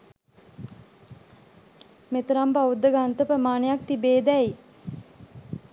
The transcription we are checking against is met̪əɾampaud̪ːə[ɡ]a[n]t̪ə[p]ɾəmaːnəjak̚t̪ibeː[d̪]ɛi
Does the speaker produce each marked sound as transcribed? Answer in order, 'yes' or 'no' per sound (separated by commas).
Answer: yes, yes, yes, yes